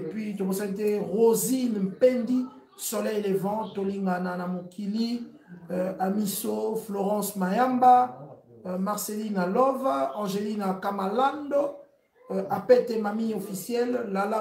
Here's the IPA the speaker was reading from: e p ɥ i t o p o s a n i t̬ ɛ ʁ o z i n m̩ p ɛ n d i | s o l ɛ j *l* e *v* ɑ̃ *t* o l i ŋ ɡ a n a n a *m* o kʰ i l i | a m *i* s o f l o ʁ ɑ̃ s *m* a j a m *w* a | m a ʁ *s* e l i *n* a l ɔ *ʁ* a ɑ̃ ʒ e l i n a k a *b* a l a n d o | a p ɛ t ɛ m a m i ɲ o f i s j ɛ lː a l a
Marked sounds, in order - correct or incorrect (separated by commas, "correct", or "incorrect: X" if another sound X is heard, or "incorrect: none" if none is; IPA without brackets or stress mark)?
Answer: correct, correct, correct, correct, correct, correct, incorrect: b, correct, correct, incorrect: v, incorrect: m